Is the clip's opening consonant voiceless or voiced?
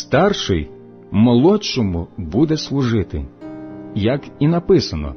voiceless